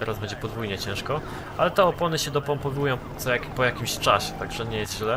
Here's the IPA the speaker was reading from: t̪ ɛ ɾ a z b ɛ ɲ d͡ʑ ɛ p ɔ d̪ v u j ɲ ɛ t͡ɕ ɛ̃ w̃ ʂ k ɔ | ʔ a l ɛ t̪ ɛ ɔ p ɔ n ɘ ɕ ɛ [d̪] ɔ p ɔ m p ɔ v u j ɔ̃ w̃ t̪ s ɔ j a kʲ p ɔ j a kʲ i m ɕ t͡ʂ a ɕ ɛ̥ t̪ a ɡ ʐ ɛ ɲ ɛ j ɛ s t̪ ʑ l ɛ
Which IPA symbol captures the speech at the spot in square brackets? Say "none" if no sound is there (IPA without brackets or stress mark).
d̪